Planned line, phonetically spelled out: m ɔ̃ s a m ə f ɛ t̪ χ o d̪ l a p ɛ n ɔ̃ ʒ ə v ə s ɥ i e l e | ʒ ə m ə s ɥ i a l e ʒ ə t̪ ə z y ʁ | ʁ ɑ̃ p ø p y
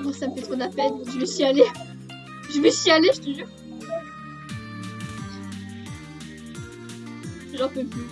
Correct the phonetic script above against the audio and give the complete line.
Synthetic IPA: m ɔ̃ s a m ə f ɛ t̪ χ o d̪ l a p ɛ n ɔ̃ ʒ ə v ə s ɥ i a l e | ʒ ə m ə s ɥ i a l e ʒ ə t̪ ə ʒ y ʁ | ʒ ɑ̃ p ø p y